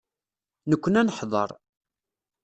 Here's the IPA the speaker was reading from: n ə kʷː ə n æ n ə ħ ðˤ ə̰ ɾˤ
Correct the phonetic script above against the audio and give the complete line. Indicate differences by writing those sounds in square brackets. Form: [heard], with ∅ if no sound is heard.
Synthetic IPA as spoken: n ə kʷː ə n æ n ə ħ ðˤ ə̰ ɾˤ